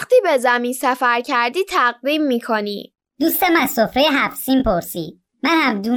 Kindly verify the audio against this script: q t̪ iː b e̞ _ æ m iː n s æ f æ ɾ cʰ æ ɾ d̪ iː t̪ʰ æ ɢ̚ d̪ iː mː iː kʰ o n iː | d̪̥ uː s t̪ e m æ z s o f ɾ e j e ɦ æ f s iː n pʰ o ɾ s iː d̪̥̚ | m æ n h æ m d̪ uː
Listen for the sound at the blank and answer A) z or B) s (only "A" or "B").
A